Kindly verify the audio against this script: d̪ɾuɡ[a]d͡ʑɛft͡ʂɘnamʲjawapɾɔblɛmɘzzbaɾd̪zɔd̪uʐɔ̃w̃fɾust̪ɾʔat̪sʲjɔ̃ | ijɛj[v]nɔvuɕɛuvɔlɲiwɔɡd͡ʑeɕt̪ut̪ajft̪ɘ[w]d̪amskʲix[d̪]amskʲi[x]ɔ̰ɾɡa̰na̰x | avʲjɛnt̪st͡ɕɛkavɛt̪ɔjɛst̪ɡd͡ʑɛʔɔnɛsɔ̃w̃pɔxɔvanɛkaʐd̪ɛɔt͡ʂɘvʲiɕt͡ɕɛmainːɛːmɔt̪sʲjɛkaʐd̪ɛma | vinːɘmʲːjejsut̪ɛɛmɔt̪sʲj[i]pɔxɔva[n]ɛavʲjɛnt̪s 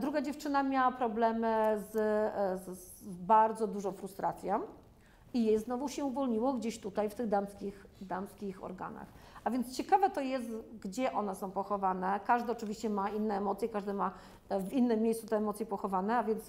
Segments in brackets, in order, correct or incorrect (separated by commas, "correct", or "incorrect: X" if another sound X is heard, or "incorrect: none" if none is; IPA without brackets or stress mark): correct, incorrect: z, incorrect: ɣ, correct, correct, incorrect: ɛ, correct